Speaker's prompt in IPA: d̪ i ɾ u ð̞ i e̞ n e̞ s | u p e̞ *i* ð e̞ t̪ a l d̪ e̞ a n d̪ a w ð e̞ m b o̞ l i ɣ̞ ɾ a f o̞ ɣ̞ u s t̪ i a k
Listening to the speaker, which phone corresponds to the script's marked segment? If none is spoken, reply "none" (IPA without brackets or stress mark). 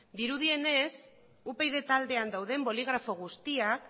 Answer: j